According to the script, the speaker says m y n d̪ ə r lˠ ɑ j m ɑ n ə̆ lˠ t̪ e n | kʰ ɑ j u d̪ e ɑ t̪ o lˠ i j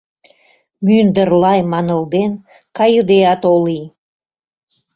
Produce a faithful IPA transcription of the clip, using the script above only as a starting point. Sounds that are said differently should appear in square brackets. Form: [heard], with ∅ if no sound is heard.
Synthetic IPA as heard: m y n d̪ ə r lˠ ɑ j m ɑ n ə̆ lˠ [d̪] e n | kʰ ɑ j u d̪ e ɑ t̪ o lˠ i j